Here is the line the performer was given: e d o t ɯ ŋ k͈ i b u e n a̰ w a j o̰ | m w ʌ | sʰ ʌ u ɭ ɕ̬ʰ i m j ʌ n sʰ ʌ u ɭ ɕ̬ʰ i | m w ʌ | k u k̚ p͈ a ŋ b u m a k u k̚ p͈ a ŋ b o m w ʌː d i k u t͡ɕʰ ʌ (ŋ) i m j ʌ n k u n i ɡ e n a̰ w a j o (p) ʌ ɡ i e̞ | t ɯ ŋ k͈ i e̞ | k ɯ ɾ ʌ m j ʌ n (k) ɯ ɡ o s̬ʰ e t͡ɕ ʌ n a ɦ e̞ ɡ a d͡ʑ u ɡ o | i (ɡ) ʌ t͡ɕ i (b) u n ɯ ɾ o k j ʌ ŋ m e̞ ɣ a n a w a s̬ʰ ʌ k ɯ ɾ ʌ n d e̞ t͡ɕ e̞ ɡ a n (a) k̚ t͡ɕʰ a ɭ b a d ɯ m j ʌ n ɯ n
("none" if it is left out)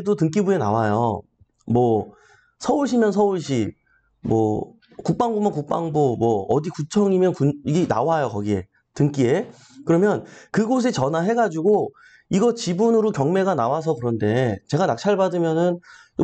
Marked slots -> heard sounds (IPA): ŋ, k, k, ɡ, b, a

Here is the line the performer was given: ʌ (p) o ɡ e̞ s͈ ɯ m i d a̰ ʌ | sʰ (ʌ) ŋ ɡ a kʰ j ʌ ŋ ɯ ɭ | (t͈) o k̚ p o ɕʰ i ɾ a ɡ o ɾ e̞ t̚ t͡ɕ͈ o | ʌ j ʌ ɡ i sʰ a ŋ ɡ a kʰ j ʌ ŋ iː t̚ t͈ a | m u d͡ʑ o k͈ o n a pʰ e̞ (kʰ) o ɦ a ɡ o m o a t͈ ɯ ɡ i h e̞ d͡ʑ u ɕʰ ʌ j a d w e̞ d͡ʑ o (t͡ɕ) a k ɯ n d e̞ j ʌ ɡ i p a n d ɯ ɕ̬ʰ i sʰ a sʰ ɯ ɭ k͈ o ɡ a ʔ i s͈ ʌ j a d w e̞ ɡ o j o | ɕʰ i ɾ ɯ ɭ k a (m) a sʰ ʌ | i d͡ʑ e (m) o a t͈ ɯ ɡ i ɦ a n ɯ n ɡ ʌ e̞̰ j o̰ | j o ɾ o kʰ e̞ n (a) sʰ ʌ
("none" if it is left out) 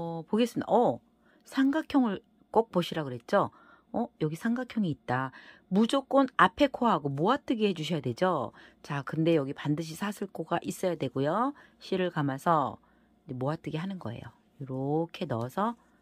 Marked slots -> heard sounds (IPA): p, a, k͈, kʰ, t͡ɕ, m, m, ʌ

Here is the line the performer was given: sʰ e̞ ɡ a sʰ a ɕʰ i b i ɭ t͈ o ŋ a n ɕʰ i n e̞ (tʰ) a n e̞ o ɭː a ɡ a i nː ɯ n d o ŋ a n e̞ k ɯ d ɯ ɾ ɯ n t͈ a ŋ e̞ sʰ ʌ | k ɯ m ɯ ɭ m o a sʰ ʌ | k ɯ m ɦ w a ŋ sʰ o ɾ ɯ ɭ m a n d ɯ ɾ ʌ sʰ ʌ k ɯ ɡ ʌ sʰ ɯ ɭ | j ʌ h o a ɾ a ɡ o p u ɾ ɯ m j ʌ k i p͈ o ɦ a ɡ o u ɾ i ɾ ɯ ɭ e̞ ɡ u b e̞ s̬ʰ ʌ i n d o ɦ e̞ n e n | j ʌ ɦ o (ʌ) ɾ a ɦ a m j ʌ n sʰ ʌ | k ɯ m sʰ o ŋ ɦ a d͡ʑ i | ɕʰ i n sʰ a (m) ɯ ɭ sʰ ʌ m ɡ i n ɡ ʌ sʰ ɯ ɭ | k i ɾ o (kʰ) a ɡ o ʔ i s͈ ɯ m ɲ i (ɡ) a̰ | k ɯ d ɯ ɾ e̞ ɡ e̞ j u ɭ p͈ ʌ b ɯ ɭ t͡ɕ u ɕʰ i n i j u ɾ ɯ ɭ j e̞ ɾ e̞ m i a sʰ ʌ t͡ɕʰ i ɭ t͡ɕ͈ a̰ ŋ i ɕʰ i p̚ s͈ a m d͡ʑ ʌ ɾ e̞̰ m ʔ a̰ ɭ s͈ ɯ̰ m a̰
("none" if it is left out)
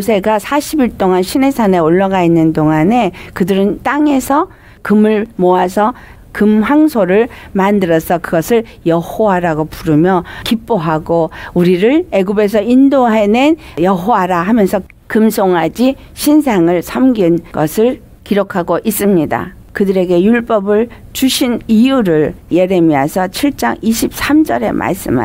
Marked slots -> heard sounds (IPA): sʰ, a, ŋ, kʰ, d

